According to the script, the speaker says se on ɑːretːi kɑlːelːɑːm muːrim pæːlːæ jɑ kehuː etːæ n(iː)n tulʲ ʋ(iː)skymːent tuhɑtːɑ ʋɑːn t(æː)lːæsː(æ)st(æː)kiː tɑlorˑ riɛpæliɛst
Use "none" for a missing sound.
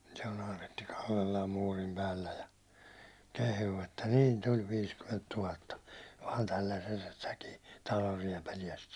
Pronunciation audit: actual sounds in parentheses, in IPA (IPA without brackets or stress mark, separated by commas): iː, iː, æ, e, æ